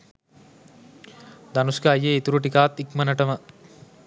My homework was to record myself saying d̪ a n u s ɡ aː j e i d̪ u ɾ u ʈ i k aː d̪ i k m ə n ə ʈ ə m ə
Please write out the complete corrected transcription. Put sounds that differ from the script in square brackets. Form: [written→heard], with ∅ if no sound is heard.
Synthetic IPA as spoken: d̪ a n u s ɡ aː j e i [d̪→t̪] u ɾ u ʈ i k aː [d̪→t̪] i k m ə n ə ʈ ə m ə